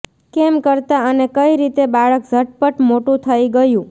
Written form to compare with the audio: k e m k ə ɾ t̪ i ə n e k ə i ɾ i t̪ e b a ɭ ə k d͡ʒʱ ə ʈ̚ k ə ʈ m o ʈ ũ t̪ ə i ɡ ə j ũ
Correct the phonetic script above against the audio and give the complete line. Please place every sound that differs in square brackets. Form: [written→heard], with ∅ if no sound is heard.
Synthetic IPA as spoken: k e m k ə ɾ t̪ [i→a] ə n e k ə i ɾ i t̪ e b a ɭ ə k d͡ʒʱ ə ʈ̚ [k→p] ə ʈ m o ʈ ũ [t̪→t̪ʰ] ə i ɡ ə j ũ